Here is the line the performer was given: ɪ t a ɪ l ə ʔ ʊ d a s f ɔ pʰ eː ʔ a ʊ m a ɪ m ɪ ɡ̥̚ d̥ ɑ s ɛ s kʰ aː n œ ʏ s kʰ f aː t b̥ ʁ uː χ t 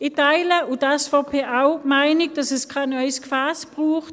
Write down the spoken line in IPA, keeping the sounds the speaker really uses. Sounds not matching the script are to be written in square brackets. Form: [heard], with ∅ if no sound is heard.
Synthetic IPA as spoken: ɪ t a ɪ l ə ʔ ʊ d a s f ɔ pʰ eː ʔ a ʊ m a ɪ [n] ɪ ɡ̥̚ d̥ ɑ s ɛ s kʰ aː n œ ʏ s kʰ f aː [s] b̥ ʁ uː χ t

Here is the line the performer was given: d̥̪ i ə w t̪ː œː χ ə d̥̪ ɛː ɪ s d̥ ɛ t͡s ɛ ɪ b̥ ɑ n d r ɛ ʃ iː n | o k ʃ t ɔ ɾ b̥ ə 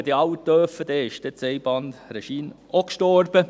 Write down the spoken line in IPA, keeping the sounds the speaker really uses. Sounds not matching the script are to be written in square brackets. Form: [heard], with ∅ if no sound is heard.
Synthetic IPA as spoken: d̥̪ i [ɑ] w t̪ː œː [f] ə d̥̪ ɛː ɪ [ʃ] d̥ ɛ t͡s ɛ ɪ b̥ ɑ n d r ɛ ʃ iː n | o k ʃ t ɔ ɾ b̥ ə

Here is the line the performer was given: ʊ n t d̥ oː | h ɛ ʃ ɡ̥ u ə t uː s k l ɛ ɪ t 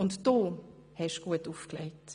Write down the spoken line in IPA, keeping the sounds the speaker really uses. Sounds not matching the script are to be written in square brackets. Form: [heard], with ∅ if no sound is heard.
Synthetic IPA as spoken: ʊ n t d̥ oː | h ɛ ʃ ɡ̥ u ə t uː [f] k l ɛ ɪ t

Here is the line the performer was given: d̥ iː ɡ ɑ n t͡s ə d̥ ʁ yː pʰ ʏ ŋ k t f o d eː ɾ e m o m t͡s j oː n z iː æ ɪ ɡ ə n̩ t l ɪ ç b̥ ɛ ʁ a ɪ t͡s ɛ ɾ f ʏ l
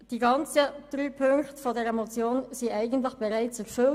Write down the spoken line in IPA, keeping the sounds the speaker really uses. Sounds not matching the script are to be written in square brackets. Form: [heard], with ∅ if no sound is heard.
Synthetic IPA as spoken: d̥ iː ɡ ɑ n t͡s ə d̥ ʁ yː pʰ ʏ ŋ k t f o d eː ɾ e m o [∅] t͡s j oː n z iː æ ɪ ɡ ə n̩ t l ɪ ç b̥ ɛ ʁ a ɪ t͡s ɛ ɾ f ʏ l

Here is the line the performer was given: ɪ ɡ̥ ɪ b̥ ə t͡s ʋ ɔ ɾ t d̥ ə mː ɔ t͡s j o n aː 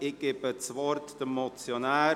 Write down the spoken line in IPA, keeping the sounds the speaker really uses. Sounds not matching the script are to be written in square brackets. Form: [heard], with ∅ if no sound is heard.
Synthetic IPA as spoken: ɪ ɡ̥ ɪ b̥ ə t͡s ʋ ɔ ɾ t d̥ ə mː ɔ t͡s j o n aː

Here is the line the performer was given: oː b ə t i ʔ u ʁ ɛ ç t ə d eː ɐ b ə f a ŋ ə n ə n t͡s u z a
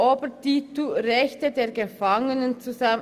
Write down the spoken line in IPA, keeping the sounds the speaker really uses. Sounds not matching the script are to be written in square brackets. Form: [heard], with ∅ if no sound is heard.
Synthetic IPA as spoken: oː b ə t i [t] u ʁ ɛ ç t ə d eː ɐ [ɡ] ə f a ŋ ə n ə n t͡s u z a

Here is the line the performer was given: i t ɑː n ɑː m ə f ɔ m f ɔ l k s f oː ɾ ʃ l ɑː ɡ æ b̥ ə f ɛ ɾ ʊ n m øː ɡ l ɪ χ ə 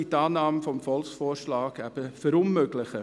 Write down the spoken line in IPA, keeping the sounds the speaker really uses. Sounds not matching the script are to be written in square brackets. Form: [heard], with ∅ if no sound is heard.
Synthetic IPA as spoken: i t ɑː n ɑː m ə f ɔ m f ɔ l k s f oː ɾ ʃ l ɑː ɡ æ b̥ ə f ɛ ɾ ʊ n m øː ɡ l ɪ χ ə

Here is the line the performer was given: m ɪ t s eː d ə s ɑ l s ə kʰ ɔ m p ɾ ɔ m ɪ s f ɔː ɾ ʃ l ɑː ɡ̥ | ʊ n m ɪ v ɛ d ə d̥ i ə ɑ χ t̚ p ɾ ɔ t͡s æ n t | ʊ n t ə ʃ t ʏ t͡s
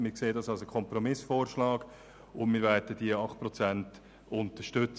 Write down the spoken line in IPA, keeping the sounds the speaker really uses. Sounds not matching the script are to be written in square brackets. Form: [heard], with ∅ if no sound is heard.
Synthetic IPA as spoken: m ɪ [k] s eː d [ɑ] s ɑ l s ə kʰ ɔ m p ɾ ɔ m ɪ s f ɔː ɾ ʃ l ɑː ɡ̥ | ʊ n m ɪ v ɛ d ə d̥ i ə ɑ χ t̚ p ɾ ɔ t͡s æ n t | ʊ n t ə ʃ t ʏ t͡s

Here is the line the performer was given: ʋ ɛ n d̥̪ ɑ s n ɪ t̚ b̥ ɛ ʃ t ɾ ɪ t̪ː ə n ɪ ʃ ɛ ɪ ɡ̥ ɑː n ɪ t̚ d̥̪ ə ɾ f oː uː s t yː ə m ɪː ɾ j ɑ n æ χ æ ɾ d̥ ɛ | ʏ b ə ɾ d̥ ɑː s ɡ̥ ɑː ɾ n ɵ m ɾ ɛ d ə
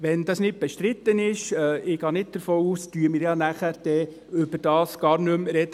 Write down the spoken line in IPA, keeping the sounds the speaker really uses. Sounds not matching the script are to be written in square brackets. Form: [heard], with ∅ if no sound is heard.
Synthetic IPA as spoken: ʋ ɛ n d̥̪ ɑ s n ɪ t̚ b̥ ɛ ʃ t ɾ ɪ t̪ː ə n ɪ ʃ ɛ ɪ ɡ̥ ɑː n ɪ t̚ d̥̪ ə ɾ f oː uː s t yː ə m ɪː ɾ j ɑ n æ χ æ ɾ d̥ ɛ | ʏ b ə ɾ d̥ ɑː s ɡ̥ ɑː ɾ n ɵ m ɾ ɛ d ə

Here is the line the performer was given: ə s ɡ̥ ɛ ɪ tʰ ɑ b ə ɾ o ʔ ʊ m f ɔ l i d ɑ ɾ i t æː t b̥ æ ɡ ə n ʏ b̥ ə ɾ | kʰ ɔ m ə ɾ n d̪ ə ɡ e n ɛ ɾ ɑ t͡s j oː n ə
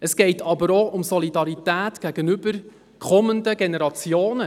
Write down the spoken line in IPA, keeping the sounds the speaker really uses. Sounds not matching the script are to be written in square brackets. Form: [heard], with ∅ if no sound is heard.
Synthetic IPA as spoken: ə s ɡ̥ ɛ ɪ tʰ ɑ b ə ɾ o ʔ ʊ m [s] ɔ l i d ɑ ɾ i t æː t [ɡ̥] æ ɡ ə n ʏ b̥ ə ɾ | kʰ ɔ m ə [∅] n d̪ ə ɡ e n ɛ ɾ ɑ t͡s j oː n ə

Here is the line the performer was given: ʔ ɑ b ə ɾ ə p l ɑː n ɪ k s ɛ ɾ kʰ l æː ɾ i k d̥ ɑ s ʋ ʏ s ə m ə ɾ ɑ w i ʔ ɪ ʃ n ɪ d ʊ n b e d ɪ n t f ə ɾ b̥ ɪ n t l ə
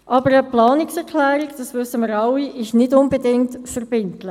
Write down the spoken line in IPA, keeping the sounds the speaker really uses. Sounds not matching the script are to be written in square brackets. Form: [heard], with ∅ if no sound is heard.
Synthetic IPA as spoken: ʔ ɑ b ə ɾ ə p l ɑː n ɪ k s ɛ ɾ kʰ l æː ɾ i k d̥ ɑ s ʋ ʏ s ə m ə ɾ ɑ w i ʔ ɪ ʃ n ɪ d ʊ n b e d ɪ [ŋ] t f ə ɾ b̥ ɪ n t l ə

